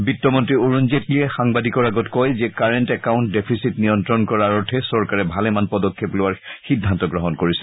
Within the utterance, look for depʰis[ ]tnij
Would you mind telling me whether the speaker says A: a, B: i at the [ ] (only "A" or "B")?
B